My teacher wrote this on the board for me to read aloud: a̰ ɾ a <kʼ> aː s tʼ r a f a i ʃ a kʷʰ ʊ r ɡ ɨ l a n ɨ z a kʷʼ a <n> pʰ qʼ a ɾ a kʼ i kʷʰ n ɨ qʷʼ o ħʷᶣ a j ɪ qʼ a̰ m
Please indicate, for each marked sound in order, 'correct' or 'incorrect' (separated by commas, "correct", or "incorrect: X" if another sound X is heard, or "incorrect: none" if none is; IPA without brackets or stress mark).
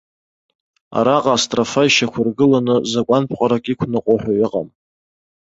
incorrect: qʼ, correct